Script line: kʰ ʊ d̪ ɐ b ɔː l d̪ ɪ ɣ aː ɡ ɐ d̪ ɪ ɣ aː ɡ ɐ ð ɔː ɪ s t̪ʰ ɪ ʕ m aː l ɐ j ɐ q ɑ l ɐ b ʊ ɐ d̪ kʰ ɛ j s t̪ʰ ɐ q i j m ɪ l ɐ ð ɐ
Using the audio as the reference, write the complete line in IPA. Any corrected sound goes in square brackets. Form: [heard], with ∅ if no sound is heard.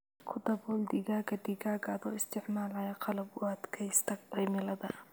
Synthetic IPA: kʰ ʊ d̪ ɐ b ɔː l d̪ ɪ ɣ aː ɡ ɐ d̪ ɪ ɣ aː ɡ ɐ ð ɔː ɪ s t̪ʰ ɪ ʕ m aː l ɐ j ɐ q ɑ l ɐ b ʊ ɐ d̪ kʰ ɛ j s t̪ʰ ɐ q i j m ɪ l ɐ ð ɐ